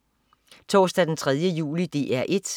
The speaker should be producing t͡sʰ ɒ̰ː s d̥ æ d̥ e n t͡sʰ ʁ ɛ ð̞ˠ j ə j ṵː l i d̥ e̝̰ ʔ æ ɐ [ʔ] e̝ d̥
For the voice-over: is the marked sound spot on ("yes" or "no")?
yes